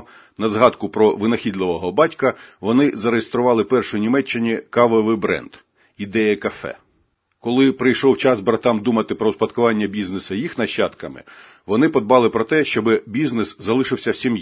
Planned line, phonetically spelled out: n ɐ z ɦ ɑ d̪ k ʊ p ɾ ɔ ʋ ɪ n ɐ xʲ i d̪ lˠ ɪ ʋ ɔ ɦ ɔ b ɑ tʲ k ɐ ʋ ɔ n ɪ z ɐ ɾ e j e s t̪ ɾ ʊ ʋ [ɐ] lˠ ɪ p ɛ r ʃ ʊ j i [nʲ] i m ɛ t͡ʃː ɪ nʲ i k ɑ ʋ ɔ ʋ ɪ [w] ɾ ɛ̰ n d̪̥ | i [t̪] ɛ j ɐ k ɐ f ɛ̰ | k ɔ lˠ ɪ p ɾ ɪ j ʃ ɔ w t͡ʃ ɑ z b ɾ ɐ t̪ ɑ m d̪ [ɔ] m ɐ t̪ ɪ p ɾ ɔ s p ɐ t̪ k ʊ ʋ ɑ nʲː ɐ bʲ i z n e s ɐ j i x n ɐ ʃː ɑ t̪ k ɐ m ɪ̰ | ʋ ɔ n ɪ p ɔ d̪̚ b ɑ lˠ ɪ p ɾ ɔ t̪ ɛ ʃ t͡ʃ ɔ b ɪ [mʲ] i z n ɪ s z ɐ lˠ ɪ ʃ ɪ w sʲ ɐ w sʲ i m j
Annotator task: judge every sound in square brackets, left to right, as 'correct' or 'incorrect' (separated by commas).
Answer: incorrect, correct, incorrect, incorrect, incorrect, incorrect